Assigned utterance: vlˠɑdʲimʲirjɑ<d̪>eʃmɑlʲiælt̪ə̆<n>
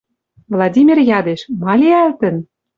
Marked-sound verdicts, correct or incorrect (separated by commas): correct, correct